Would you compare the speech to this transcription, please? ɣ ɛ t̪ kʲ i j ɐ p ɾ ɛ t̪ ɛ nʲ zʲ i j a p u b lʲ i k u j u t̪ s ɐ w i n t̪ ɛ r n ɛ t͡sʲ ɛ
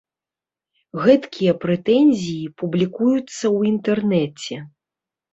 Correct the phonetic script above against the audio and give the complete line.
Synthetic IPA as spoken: ɣ ɛ t̪ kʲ i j ɐ p ɾ ɛ t̪ ɛ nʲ zʲ i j i p u b lʲ i k u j u t̪ sː ɐ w i n t̪ ɛ r n ɛ t͡sʲ ɛ